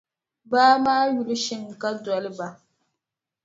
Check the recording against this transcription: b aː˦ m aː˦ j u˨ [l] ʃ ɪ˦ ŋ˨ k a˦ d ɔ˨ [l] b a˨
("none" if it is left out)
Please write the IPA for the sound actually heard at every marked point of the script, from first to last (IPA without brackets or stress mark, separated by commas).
l, l